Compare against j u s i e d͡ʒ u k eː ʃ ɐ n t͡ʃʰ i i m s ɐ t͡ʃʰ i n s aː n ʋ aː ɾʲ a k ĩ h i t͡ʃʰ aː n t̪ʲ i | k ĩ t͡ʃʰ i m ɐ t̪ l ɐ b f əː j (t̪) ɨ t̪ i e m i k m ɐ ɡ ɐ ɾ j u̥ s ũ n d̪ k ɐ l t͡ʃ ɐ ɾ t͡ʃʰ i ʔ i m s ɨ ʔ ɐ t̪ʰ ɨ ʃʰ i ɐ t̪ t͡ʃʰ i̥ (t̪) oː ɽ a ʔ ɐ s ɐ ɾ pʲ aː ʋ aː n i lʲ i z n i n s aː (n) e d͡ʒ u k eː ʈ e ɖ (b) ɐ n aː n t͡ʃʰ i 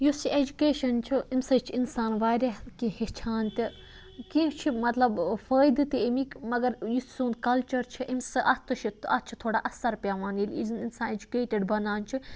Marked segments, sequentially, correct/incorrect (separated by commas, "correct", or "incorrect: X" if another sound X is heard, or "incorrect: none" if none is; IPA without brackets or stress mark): incorrect: d̪, incorrect: t̪ʰ, correct, correct